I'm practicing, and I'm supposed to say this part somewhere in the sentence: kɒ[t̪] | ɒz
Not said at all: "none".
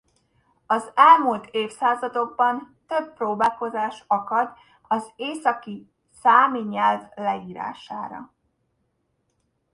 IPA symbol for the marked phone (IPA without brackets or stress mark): d̪